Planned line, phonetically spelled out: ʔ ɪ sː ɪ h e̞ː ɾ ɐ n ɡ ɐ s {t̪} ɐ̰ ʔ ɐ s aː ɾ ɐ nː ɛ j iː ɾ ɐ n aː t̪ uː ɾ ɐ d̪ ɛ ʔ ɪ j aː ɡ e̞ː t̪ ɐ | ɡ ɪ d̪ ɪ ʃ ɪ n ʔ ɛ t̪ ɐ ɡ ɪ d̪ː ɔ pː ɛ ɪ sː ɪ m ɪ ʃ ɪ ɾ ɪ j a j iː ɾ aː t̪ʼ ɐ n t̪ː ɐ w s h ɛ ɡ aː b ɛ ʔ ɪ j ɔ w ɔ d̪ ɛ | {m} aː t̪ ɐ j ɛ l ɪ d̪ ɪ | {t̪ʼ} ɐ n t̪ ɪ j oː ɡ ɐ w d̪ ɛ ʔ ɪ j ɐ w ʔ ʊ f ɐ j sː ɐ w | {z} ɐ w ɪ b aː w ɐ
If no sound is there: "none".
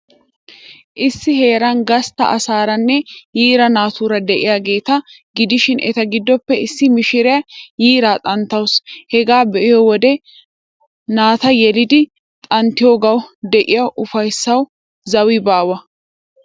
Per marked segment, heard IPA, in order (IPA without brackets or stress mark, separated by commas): t̪, n, t̪ʼ, z